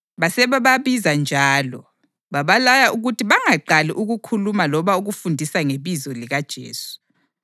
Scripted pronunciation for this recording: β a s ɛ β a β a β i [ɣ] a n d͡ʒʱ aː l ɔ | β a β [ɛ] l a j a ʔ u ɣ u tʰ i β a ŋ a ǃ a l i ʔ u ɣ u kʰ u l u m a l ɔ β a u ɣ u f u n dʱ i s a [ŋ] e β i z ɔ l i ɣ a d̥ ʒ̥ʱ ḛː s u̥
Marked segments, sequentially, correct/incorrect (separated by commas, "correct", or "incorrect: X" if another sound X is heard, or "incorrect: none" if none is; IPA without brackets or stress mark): incorrect: z, incorrect: a, correct